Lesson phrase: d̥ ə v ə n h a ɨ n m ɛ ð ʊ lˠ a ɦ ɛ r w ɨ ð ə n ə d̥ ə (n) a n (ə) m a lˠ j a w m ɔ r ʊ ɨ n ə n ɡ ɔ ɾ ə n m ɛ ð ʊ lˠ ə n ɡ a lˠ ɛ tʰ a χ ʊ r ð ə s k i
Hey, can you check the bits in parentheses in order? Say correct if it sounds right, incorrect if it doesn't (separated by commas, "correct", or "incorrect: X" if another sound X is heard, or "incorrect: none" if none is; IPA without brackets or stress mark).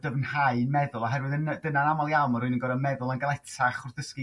correct, incorrect: a